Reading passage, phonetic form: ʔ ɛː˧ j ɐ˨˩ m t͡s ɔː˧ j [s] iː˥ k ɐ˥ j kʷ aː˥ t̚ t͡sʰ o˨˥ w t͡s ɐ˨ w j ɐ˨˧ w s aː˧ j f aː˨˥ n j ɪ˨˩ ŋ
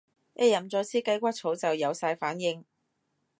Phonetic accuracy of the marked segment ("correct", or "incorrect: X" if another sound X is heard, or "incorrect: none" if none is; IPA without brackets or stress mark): correct